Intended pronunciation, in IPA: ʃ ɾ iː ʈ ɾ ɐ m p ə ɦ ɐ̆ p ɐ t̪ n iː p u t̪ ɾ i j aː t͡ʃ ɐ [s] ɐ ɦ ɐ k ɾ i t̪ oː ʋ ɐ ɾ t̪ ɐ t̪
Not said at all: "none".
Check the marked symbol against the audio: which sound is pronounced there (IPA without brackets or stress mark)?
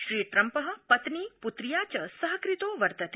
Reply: s